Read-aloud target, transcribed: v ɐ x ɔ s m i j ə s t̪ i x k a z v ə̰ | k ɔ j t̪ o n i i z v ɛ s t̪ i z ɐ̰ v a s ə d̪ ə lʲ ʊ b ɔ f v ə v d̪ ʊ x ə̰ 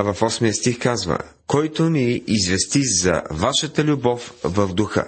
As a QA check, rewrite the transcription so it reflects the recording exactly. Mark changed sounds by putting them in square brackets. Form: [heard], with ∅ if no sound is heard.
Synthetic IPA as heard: v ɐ [f] ɔ s m i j ə s t̪ i x k a z v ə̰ | k ɔ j t̪ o n i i z v ɛ s t̪ i z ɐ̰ v a [ʃ] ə [t̪] ə lʲ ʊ b ɔ f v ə v d̪ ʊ x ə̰